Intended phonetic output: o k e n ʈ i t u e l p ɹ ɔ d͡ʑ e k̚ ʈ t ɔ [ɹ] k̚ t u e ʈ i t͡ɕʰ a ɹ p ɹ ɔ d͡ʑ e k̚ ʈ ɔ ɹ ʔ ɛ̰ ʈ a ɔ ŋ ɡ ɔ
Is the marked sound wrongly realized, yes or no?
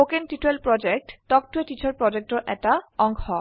yes